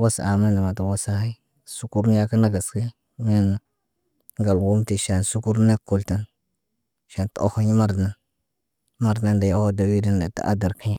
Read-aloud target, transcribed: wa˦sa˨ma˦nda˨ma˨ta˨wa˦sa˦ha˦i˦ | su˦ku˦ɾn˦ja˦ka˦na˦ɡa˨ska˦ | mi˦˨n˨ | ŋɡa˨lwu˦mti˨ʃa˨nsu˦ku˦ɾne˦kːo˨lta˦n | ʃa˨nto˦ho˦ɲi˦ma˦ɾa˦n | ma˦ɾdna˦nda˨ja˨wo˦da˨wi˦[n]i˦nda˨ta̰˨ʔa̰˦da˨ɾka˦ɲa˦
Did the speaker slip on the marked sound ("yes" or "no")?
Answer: yes